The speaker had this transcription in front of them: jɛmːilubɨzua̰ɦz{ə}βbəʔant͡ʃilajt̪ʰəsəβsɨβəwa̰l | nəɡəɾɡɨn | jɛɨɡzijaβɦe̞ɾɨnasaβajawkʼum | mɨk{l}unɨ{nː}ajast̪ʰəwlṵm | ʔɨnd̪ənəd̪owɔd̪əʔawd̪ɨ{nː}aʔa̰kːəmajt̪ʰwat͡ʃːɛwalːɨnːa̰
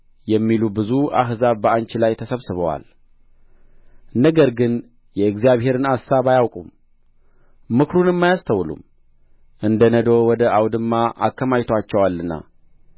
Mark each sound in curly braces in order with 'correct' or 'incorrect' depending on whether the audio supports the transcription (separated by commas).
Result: incorrect, incorrect, incorrect, incorrect